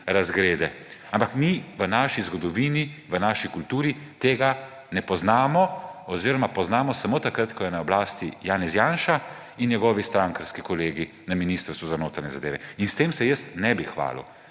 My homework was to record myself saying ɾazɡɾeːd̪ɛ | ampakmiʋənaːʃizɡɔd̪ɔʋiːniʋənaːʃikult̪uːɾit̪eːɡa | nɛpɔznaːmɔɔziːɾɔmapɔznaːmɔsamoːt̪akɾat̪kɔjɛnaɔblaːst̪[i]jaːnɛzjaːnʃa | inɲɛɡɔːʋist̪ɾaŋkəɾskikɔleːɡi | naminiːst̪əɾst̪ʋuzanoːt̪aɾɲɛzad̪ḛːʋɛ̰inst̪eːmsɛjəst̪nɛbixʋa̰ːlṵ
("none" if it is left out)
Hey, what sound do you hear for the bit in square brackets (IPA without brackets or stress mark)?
i